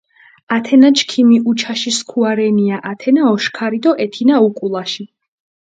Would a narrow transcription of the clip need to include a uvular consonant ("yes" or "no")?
no